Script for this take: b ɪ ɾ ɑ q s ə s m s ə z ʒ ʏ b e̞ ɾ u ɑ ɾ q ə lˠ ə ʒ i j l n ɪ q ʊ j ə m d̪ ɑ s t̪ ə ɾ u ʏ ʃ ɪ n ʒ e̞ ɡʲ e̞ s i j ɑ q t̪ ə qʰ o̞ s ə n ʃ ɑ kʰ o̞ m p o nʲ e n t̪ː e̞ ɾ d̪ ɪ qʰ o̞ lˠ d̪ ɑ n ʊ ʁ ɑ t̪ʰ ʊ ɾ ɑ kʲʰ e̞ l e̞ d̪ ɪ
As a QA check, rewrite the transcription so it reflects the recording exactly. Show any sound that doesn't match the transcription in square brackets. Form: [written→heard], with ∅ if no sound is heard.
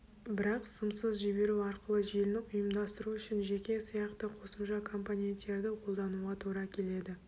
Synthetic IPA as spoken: b ɪ ɾ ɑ q s ə [s→∅] m s ə z ʒ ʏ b e̞ ɾ u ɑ ɾ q ə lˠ ə ʒ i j l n ɪ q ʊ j ə m d̪ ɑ s t̪ ə ɾ u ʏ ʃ ɪ n ʒ e̞ [ɡʲ→kʲ] e̞ s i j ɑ q t̪ ə qʰ o̞ s ə [n→m] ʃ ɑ kʰ o̞ m p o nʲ e n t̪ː e̞ ɾ d̪ ɪ qʰ o̞ lˠ d̪ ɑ n [ʊ→u] ʁ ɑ t̪ʰ [ʊ→u] ɾ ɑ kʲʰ e̞ l e̞ d̪ ɪ